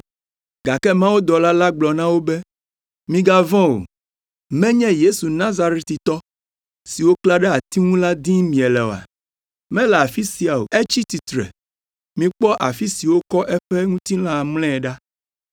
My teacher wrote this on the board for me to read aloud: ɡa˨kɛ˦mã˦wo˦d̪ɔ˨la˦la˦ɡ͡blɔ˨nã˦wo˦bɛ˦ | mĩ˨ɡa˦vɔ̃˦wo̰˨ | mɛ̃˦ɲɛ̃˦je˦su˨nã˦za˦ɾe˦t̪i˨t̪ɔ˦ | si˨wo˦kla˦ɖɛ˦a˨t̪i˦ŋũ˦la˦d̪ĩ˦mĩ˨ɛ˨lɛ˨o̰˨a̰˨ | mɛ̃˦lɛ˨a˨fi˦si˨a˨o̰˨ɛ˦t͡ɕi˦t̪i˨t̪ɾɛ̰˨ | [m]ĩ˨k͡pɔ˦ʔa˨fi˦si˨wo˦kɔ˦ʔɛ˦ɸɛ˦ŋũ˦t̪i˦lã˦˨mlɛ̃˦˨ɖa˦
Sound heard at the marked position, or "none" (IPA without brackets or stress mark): m